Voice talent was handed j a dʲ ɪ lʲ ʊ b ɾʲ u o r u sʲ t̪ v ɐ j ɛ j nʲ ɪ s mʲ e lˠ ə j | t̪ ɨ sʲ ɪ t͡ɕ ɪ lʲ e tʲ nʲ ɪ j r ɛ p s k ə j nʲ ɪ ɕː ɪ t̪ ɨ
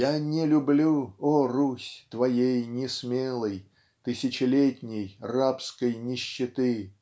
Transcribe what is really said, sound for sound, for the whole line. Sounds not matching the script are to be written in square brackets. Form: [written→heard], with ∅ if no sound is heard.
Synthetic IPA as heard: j a [dʲ→nʲ] ɪ lʲ ʊ b [ɾʲ→lʲ] u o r u sʲ t̪ v ɐ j [ɛ→e] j nʲ ɪ s mʲ e lˠ ə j | t̪ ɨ sʲ ɪ t͡ɕ ɪ lʲ e tʲ nʲ ɪ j r [ɛ→a] p s k ə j nʲ ɪ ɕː ɪ t̪ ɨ